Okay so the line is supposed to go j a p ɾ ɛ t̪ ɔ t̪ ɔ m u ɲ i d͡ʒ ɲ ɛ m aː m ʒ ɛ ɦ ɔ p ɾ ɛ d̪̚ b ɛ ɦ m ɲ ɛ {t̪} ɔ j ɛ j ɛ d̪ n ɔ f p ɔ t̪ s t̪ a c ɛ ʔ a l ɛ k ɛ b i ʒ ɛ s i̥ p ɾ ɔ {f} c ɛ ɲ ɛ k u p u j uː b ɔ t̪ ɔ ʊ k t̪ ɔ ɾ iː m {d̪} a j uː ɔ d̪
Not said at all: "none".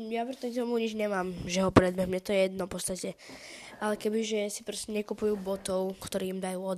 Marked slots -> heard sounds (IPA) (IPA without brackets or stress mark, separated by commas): t̪, s, d̪